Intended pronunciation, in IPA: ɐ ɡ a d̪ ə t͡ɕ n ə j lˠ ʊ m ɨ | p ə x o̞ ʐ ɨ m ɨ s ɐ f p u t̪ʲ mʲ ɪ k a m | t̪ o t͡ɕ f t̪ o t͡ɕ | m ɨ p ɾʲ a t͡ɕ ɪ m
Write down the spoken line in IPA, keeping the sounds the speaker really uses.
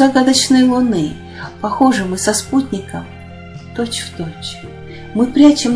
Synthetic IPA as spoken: ɐ ɡ a d̪ ə t͡ɕ n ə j lˠ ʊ n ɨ | p ɐ x o̞ ʐ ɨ m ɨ s ɐ s p u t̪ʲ nʲ ɪ k ə m | t̪ o t͡ɕ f t̪ o t͡ɕ | m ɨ p ɾʲ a t͡ɕ ɪ m

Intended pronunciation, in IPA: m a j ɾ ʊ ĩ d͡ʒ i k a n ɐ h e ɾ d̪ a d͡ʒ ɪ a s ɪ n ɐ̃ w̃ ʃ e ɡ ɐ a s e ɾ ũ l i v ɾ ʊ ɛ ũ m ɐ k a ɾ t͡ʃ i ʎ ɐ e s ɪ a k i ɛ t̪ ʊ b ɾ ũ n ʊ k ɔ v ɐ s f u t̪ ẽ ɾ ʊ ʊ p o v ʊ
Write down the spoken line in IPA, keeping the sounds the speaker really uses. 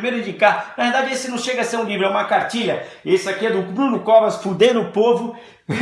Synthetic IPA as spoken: m e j ɾ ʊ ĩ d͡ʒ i k a n ɐ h e ɾ d̪ a d͡ʒ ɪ e s ɪ n ɐ̃ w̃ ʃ e ɡ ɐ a s e ɾ ũ l i v ɾ ʊ ɛ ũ m ɐ k a ɾ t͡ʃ i ʎ ɐ e s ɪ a k i ɛ d̪ ʊ b ɾ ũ n ʊ k ɔ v ɐ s f u d̪ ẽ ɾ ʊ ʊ p o v ʊ

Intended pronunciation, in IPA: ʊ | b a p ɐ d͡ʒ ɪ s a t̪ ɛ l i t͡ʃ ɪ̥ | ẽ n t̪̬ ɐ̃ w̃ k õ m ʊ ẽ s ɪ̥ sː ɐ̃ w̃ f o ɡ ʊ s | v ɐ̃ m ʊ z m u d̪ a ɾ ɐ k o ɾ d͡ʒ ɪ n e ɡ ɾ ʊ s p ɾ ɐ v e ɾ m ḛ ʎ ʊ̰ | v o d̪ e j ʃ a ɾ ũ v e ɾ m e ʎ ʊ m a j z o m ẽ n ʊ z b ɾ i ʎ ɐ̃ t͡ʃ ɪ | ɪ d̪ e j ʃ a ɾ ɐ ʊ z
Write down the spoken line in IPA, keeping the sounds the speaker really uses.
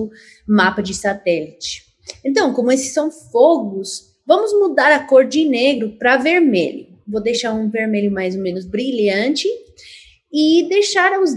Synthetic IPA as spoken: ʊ | m a p ɐ d͡ʒ ɪ s a t̪ ɛ l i t͡ʃ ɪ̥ | ẽ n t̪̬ ɐ̃ w̃ k õ m ʊ e s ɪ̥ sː ɐ̃ w̃ f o ɡ ʊ s | v ɐ̃ m ʊ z m u d̪ a ɾ ɐ k o ɾ d͡ʒ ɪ n e ɡ ɾ ʊ p ɾ ɐ v e ɾ m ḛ ʎ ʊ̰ | v o d̪ e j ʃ a ɾ ũ v e ɾ m e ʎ ʊ m a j z o m ẽ n ʊ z b ɾ i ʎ ɐ̃ t͡ʃ ɪ | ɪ d̪ e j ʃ a ɾ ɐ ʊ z

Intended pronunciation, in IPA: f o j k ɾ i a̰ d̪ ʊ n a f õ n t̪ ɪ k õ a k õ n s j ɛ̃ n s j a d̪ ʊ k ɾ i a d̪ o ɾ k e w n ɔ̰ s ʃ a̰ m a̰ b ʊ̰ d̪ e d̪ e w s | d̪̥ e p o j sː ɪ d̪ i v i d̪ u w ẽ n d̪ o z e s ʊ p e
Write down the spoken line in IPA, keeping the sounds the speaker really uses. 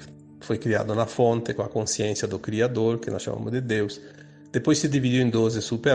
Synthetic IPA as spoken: f o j k ɾ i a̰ d̪ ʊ n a f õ n t̪ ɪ k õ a k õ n s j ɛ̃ n s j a d̪ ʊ k ɾ i a d̪ o ɾ k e n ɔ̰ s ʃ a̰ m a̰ m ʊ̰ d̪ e d̪ e w s | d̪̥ e p o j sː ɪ d̪ i v i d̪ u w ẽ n d̪ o z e s u p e

